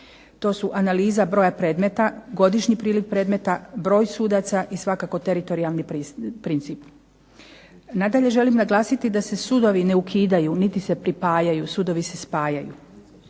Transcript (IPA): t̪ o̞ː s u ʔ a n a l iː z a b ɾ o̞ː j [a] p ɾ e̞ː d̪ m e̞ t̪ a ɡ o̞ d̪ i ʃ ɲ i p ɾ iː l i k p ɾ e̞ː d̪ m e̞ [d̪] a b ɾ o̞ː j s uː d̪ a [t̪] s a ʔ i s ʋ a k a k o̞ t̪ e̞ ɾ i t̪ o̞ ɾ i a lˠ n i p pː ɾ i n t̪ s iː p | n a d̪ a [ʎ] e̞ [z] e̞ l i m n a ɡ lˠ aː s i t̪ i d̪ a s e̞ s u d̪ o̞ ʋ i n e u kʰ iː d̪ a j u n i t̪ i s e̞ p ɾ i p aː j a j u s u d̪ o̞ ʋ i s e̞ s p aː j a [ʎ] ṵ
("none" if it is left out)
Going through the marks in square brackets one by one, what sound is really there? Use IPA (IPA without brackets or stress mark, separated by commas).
a, t̪, t̪, ʎ, ʒ, j